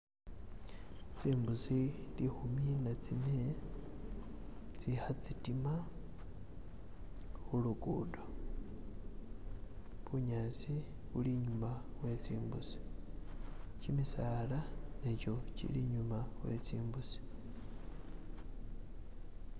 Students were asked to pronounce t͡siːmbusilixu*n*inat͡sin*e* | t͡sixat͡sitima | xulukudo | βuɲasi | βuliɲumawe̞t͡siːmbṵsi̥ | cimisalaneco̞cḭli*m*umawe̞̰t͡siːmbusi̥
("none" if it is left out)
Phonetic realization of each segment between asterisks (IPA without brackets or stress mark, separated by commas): m, e, ɲ